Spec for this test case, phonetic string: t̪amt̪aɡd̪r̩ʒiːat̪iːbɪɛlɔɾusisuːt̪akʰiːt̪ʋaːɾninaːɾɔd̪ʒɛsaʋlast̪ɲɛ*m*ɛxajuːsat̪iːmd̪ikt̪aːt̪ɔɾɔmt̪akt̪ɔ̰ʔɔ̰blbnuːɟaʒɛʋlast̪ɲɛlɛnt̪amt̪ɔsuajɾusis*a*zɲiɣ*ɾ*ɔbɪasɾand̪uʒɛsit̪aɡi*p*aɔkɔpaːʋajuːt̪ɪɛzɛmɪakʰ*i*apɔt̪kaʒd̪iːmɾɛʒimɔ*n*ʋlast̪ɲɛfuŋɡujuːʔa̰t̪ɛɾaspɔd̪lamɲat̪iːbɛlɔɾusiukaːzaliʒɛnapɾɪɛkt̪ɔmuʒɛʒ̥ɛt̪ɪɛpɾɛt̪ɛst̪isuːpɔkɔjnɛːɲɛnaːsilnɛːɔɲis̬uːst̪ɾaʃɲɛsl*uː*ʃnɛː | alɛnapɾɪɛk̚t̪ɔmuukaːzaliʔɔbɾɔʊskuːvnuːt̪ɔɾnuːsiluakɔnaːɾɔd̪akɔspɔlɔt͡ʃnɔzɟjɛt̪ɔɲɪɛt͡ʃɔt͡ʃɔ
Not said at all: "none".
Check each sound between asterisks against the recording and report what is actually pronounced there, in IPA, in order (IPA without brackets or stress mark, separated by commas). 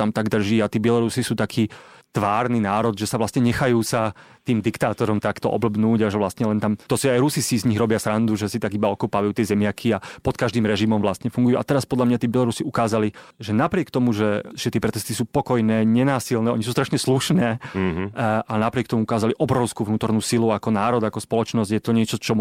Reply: ɲ, i, ɾ, b, i, m, u